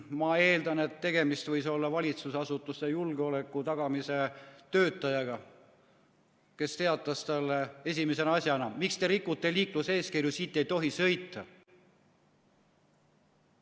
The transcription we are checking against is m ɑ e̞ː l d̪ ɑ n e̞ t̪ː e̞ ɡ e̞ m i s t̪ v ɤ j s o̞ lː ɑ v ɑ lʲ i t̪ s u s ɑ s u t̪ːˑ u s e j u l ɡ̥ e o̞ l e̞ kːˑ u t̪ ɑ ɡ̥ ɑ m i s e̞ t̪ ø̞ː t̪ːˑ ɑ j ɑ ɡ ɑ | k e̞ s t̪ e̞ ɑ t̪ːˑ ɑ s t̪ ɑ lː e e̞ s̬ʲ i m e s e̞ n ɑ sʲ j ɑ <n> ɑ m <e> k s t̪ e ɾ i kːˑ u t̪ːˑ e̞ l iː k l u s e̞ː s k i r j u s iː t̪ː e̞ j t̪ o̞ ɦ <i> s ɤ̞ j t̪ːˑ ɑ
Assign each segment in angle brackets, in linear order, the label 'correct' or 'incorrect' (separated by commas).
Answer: correct, incorrect, correct